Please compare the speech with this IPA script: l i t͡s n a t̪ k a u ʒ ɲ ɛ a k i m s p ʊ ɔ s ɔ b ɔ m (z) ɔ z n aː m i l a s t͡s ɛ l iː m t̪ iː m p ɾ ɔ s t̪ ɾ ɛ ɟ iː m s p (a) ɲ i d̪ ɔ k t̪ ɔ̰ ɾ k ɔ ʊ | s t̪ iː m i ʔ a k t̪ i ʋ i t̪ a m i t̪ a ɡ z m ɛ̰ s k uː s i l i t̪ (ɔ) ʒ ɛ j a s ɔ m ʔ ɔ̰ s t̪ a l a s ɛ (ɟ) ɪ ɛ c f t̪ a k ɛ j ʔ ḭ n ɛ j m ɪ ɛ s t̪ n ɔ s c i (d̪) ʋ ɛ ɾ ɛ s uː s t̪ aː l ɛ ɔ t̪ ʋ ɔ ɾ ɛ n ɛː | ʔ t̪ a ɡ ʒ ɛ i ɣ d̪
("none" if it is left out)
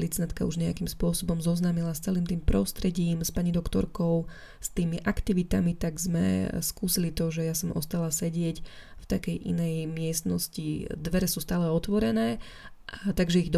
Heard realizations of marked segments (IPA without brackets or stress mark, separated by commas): z, a, ɔ, ɟ, d̪